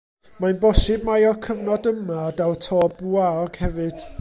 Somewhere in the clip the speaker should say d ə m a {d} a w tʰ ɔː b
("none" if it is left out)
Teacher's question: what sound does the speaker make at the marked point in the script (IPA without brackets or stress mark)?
d